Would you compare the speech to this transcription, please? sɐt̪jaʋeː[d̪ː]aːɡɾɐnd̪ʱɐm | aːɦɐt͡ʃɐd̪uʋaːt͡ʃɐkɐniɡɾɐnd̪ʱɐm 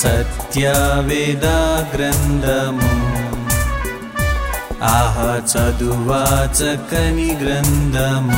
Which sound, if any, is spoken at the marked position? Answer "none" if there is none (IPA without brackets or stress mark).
d̪